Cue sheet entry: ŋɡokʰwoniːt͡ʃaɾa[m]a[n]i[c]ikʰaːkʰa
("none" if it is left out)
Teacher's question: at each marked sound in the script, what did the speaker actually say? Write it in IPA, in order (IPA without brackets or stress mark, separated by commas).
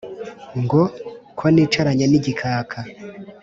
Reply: ɲ, n, ɟ